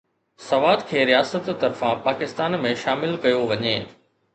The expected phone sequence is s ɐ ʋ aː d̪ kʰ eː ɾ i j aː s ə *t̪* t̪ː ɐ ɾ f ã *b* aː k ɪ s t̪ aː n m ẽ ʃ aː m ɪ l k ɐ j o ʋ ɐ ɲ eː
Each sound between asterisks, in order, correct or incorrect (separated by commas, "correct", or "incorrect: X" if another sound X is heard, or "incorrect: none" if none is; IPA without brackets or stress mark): correct, incorrect: p